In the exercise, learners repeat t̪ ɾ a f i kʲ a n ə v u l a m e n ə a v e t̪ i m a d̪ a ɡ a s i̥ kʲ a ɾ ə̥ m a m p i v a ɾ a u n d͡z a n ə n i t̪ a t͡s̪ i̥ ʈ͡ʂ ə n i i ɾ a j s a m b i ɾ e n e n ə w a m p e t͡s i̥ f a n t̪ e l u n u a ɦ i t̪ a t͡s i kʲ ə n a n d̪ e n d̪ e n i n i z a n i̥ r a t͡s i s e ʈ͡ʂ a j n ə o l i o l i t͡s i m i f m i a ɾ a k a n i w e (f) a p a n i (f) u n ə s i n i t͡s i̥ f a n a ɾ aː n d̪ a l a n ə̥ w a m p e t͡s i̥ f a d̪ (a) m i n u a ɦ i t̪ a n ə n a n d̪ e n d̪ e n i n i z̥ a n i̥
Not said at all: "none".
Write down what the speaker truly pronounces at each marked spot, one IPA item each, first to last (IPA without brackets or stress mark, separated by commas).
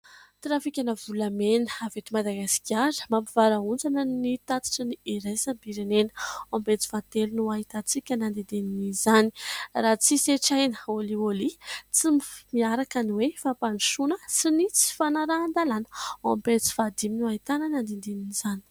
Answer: f, ʃ, i